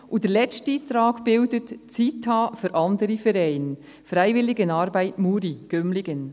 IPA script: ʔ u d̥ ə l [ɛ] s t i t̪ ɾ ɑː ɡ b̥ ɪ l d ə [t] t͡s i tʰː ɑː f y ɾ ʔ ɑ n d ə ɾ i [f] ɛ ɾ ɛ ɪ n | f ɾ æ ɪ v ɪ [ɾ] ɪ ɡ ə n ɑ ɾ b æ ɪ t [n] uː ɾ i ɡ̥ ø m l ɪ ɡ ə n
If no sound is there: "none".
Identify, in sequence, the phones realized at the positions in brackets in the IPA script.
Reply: ɛ, t, f, l, m

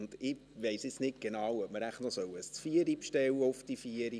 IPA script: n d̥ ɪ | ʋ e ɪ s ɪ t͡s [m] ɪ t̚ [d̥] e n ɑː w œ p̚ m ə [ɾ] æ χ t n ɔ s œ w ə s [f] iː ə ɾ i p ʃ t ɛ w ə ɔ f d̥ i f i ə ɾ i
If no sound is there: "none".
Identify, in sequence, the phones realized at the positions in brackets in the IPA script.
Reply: n, ɡ̥, ɾ, f

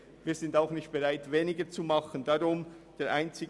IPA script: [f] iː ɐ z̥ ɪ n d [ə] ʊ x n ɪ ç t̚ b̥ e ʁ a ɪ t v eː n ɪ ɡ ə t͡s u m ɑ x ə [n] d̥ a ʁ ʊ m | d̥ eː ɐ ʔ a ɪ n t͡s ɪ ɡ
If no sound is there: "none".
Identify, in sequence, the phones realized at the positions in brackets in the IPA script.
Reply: v, a, n

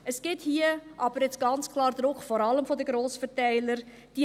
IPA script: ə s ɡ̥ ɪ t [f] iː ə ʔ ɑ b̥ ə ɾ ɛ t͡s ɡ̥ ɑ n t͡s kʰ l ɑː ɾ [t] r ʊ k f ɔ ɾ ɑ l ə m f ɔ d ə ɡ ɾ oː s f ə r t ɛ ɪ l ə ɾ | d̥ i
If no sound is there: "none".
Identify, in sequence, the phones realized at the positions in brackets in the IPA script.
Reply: h, d

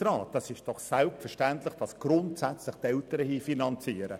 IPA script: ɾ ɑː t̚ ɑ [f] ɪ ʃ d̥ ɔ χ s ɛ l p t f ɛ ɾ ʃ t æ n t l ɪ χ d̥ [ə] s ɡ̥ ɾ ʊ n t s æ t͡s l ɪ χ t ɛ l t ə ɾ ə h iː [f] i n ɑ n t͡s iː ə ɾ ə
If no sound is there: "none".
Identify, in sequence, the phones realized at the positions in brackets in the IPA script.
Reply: s, ɑ, f

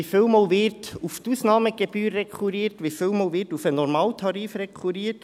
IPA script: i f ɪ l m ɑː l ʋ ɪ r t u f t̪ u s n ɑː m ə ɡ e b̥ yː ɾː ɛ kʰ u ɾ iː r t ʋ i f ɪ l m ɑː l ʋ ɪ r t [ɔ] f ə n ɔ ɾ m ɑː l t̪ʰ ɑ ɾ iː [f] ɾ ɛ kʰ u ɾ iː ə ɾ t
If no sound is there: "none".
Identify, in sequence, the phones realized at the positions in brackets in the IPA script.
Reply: u, f

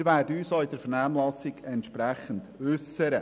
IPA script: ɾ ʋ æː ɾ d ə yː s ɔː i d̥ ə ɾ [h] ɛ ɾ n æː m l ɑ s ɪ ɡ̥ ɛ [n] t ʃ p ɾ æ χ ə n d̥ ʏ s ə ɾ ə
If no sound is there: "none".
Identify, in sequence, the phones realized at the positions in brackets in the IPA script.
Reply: f, n

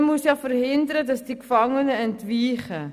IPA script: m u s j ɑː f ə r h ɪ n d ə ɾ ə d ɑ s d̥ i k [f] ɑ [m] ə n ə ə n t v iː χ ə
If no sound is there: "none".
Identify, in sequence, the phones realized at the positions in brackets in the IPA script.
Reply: f, ŋ

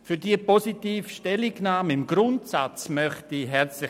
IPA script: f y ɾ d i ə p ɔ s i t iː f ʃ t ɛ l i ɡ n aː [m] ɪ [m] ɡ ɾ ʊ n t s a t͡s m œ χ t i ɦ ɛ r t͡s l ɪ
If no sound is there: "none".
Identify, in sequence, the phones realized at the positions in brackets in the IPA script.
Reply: m, m

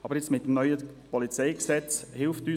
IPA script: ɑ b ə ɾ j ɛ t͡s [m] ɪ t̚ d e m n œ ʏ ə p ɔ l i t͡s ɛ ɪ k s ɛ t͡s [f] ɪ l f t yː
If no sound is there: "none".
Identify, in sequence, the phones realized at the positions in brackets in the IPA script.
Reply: m, h

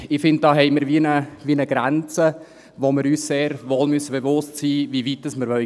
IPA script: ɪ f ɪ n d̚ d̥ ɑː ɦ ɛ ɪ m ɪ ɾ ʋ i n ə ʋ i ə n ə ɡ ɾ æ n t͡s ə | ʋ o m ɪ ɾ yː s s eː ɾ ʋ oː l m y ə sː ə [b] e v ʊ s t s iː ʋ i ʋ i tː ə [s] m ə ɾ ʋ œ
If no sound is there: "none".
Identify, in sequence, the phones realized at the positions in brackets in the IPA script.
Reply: b, s

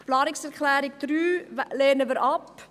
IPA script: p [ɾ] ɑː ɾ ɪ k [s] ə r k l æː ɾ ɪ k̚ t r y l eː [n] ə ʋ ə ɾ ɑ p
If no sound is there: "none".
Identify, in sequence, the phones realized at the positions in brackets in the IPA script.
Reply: l, s, n

